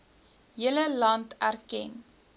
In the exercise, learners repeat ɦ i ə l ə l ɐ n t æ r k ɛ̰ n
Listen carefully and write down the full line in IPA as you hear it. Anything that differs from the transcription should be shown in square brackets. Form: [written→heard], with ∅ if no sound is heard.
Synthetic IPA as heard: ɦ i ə l ə l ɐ n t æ r k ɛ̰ n